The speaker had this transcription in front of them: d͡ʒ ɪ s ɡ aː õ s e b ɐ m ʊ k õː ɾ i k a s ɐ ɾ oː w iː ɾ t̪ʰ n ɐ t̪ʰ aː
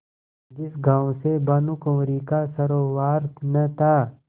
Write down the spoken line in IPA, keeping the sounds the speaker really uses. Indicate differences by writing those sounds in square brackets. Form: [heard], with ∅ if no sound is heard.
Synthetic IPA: d͡ʒ ɪ s ɡ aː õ s e b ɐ [n] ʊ k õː ɾ i k a s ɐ ɾ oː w [aː] ɾ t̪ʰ n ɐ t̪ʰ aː